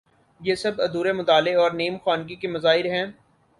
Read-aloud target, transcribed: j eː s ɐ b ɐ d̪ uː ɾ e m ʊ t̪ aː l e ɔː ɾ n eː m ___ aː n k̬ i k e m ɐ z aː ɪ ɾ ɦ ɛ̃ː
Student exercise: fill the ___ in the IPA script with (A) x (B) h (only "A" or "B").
A